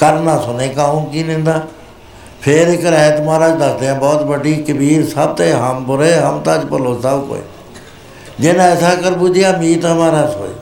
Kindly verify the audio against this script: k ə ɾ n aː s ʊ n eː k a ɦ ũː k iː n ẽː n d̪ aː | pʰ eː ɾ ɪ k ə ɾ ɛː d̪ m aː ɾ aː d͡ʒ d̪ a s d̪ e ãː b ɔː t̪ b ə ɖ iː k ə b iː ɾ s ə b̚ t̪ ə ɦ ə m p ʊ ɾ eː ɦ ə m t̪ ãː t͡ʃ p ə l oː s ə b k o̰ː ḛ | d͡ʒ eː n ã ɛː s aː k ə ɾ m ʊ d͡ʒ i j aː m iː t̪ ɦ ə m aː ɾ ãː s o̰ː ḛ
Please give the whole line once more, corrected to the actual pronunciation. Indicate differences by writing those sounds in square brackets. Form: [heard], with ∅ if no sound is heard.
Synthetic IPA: k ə ɾ n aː s ʊ n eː k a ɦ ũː k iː n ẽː n d̪ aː | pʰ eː ɾ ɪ k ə ɾ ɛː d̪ m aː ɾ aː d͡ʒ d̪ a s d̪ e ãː b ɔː t̪ b ə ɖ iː k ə b iː ɾ s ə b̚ t̪ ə ɦ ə m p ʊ ɾ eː ɦ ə m t̪ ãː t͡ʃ p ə l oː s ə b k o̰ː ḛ | d͡ʒ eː n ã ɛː s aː k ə ɾ [b] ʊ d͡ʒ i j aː m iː t̪ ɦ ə m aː ɾ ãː s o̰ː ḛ